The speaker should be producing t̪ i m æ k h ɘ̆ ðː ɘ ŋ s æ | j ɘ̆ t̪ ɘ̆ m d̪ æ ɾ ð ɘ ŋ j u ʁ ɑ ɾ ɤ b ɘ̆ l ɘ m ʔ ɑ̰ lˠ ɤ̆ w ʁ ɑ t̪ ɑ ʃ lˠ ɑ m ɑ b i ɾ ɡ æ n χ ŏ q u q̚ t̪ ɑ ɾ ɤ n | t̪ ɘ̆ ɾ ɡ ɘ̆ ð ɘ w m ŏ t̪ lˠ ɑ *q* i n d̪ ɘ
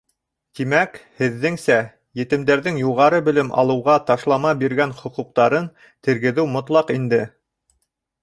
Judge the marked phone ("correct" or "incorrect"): correct